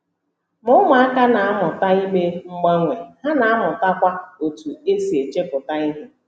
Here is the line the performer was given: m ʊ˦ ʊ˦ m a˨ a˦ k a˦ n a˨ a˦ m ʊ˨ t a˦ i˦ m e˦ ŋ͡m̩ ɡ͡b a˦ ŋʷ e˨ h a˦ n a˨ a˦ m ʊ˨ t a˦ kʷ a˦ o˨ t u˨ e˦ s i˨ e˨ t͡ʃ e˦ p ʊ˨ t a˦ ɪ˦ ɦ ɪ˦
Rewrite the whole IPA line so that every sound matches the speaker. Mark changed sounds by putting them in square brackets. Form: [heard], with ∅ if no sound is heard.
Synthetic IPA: m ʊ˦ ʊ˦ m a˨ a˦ k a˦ n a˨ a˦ m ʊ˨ t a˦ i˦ m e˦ ŋ͡m̩ ɡ͡b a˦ ŋʷ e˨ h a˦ n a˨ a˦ m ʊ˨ t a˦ kʷ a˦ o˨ t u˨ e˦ s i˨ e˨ t͡ʃ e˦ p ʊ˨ t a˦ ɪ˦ ɦ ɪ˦